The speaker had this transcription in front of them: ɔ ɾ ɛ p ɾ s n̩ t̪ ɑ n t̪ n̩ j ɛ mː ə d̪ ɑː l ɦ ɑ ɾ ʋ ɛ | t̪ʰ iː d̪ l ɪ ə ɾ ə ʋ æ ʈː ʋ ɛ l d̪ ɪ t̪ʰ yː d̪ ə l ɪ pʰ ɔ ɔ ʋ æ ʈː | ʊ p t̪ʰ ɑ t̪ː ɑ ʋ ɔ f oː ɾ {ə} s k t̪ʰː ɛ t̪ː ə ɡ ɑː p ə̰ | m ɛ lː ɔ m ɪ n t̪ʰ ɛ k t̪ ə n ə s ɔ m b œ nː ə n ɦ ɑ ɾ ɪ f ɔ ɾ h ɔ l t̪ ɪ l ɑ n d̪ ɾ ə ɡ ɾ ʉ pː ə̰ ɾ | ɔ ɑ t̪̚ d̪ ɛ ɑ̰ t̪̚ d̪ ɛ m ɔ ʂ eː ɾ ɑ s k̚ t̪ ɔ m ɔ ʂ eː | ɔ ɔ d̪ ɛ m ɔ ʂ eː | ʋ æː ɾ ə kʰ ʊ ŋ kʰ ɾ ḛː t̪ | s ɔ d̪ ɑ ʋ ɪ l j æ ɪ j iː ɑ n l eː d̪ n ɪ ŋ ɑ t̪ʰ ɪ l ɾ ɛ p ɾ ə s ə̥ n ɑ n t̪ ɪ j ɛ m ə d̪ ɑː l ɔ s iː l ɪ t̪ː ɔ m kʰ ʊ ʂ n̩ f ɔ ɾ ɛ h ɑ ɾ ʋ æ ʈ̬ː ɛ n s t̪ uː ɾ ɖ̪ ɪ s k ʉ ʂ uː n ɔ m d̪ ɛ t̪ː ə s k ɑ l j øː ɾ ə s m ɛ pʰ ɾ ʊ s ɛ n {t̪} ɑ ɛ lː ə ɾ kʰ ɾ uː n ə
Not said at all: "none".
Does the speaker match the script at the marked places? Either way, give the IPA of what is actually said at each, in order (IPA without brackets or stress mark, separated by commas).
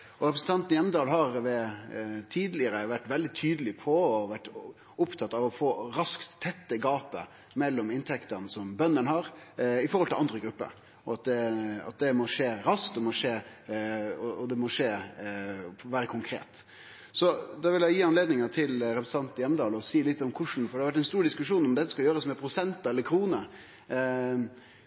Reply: ɑ, t̪